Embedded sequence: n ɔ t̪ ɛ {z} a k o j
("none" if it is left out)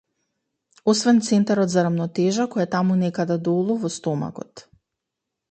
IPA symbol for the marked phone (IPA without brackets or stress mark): ʒ